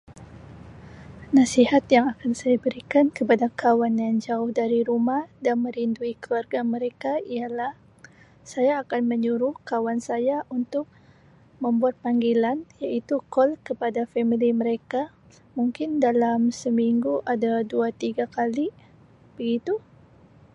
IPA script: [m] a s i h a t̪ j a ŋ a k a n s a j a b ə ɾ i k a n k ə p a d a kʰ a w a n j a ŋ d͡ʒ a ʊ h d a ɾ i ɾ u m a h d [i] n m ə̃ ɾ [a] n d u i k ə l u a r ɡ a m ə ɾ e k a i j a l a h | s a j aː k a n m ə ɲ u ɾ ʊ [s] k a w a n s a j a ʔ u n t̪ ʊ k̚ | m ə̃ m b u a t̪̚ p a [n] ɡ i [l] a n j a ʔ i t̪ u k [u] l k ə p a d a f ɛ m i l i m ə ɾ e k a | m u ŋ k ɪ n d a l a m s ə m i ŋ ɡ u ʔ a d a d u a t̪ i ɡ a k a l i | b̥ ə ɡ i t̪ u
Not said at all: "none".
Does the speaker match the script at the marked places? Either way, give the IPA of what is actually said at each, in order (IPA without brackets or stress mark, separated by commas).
n, a, i, h, ŋ, l, ɔ